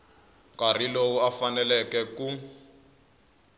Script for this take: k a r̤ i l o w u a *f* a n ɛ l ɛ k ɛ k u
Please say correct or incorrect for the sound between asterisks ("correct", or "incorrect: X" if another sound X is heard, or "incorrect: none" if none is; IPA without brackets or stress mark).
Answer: correct